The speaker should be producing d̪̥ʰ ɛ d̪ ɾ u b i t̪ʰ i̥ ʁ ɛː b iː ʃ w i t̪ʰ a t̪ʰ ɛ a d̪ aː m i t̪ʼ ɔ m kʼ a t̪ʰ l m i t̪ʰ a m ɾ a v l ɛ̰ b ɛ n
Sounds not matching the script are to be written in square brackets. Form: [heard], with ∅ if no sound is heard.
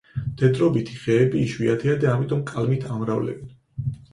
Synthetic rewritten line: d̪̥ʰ ɛ d̪ ɾ [ɔ] b i t̪ʰ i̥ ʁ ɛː b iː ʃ w i [∅] a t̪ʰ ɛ a d̪ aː m i t̪ʼ ɔ m kʼ a [∅] l m i t̪ʰ a m ɾ a v l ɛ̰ b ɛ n